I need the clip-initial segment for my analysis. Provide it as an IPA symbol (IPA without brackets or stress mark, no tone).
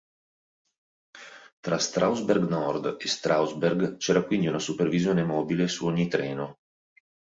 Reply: t̪